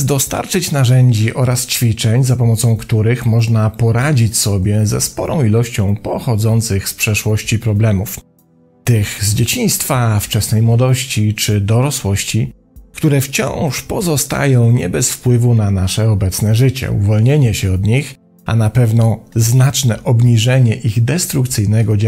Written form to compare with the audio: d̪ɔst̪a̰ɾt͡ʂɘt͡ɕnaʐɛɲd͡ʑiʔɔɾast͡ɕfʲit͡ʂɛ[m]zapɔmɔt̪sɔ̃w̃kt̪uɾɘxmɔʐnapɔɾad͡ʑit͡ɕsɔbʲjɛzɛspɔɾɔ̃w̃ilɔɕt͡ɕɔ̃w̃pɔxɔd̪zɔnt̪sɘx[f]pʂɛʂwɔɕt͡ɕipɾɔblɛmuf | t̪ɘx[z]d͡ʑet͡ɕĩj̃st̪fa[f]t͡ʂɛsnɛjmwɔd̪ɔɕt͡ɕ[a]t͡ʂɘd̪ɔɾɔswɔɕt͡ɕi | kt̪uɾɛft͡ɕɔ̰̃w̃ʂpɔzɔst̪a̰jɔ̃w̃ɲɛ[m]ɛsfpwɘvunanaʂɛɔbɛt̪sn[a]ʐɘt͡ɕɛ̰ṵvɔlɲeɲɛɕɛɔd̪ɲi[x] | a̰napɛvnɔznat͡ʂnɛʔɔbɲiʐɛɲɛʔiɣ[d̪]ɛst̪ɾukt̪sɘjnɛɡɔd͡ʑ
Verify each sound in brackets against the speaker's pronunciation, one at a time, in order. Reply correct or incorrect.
incorrect, incorrect, correct, correct, incorrect, incorrect, incorrect, correct, correct

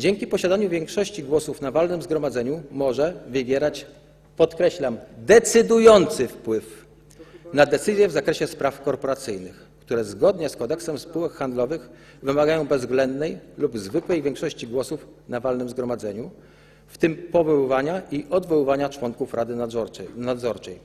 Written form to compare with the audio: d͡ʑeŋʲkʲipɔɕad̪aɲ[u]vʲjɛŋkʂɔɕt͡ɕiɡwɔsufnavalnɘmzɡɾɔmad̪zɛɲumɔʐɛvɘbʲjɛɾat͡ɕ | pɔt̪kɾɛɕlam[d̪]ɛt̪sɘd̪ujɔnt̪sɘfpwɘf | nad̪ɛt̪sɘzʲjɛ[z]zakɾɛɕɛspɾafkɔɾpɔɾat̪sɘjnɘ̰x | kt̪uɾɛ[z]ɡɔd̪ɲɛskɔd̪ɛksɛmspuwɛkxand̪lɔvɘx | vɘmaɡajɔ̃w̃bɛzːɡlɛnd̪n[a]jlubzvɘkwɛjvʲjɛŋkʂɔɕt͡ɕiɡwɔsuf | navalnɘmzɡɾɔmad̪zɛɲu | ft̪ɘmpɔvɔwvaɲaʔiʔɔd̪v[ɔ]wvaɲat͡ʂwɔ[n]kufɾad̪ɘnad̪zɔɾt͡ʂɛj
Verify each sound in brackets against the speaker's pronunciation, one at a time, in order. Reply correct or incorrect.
correct, correct, incorrect, correct, incorrect, correct, incorrect

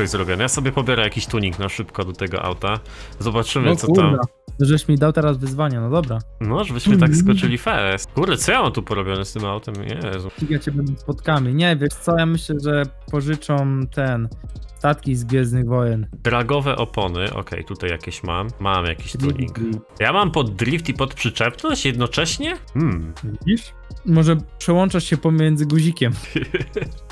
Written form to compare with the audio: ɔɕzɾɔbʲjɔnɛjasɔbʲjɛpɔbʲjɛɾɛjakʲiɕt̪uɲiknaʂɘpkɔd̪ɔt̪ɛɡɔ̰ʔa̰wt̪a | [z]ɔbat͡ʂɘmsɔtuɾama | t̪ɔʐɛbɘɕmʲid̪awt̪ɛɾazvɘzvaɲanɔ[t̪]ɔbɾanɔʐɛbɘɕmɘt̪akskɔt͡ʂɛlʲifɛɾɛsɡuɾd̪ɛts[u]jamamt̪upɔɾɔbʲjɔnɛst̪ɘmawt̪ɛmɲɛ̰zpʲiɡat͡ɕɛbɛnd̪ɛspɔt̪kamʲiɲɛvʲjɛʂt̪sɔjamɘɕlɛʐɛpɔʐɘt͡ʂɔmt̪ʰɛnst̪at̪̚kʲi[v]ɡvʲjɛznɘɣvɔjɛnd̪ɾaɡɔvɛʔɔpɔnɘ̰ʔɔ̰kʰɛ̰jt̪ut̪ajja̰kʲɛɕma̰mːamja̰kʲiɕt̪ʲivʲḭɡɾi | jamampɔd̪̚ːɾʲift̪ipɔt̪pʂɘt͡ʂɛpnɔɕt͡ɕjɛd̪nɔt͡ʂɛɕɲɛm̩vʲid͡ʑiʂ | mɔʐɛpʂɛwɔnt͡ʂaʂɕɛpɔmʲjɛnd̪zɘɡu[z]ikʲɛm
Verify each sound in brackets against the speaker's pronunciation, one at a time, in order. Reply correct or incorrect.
correct, incorrect, incorrect, incorrect, incorrect

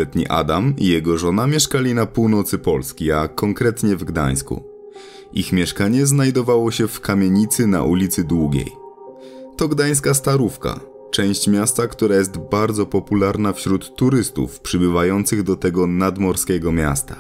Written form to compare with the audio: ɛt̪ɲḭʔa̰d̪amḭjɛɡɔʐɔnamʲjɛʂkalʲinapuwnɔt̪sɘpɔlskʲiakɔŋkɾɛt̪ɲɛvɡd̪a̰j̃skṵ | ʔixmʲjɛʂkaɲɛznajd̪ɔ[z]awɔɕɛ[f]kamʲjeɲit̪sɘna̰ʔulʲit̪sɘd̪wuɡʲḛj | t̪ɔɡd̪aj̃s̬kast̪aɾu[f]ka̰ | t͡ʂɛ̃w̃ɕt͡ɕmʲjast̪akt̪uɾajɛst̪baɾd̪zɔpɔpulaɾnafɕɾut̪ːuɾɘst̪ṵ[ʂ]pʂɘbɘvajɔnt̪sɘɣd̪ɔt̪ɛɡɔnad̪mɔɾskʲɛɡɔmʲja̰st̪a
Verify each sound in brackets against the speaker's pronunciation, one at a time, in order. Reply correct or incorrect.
incorrect, correct, correct, incorrect

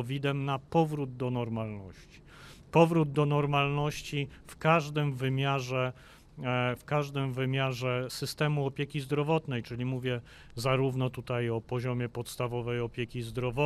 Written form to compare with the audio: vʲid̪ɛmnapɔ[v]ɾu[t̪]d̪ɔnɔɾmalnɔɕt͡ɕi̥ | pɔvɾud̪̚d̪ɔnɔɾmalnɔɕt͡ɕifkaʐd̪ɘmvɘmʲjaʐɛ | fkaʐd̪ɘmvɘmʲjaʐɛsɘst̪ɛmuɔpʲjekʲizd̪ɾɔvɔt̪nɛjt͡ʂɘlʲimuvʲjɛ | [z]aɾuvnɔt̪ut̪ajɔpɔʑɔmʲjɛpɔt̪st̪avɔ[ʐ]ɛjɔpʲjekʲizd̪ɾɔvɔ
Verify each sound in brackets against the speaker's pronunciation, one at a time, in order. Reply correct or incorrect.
correct, incorrect, correct, incorrect

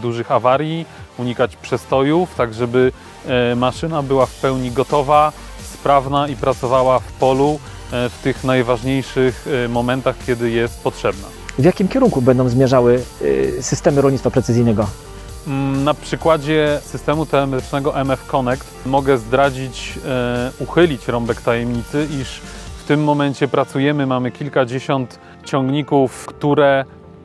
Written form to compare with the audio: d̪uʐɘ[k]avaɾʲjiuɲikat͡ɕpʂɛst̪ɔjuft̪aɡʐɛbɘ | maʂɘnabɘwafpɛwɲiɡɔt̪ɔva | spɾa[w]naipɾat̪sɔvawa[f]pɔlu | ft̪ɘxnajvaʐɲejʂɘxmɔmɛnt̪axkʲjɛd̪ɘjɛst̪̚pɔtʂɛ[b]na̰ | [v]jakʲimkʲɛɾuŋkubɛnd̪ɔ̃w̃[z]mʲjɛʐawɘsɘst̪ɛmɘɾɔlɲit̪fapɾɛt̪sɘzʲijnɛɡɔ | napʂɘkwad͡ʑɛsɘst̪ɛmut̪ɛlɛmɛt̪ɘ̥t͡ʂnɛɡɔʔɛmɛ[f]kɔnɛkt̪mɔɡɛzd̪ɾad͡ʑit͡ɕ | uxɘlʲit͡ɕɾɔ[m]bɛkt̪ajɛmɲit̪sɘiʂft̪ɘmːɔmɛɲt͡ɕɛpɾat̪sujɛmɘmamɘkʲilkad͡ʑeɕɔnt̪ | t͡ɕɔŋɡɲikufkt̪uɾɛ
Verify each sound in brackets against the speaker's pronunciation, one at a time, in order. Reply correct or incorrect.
incorrect, incorrect, correct, correct, correct, correct, correct, correct

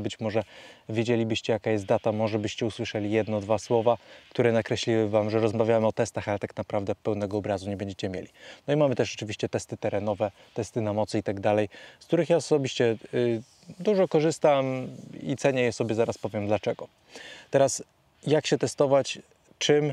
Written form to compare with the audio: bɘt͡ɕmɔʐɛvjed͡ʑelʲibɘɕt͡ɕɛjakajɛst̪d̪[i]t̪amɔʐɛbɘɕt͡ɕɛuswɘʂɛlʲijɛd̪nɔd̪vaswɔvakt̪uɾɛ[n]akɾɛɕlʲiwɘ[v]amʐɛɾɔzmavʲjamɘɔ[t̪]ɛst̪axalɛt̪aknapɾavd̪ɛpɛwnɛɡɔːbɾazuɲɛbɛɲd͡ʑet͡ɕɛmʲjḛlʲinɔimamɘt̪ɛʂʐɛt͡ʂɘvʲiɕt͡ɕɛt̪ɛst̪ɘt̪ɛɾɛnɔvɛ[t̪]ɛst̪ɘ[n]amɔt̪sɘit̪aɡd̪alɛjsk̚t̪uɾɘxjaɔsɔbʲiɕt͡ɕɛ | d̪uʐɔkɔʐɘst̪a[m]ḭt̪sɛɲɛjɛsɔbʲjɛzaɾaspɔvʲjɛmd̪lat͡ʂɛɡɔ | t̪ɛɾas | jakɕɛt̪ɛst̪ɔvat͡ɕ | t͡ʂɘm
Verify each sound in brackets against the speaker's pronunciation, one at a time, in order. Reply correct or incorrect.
incorrect, correct, correct, correct, correct, correct, correct

